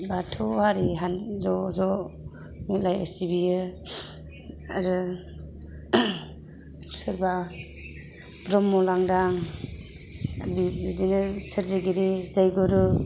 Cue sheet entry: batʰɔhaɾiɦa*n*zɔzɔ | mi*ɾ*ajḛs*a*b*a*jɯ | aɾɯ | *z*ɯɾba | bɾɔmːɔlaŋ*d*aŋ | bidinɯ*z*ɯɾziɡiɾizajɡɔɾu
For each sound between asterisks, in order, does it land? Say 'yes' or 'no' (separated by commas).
yes, no, no, no, no, yes, no